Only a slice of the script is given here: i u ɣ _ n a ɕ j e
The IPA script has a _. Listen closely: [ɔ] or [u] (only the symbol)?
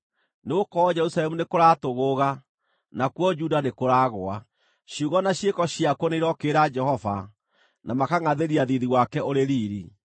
ɔ